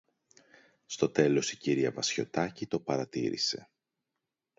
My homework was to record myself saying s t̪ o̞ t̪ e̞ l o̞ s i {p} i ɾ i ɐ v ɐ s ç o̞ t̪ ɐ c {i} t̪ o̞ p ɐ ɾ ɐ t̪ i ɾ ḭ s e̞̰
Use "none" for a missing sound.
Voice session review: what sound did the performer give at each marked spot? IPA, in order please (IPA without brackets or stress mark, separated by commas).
c, i